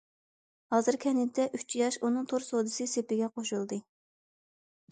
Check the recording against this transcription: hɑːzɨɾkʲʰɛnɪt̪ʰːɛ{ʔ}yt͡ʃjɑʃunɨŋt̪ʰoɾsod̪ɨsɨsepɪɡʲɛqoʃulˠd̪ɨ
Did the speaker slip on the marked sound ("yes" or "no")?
no